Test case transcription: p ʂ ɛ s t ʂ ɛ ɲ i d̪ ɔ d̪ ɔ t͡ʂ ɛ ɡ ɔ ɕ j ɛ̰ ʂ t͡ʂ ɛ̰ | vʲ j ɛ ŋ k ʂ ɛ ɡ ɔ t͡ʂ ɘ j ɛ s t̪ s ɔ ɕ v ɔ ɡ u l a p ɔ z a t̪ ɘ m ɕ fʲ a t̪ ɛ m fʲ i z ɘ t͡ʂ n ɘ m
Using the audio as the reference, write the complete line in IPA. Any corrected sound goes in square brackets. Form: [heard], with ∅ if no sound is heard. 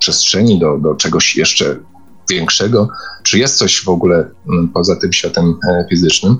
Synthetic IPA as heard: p ʂ ɛ s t ʂ ɛ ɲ i d̪ ɔ d̪ ɔ t͡ʂ ɛ ɡ ɔ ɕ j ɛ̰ ʂ t͡ʂ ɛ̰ | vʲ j ɛ ŋ k ʂ ɛ ɡ ɔ t͡ʂ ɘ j ɛ s t̪ s ɔ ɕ v ɔ ɡ u l [ɛ] p ɔ z a t̪ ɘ m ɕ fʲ a t̪ ɛ m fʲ i z ɘ t͡ʂ n ɘ m